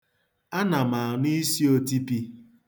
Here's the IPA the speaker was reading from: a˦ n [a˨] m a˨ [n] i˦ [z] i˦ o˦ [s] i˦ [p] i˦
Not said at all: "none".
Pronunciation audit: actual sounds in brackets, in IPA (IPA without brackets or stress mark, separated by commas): a˨, n, s, t, p